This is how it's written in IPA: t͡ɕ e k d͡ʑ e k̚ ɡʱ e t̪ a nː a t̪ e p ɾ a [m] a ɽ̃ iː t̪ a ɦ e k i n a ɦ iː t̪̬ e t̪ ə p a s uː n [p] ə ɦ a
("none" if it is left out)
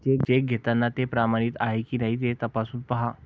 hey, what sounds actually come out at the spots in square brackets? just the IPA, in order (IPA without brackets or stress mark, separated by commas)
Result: m, p